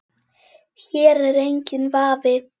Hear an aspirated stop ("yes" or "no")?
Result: no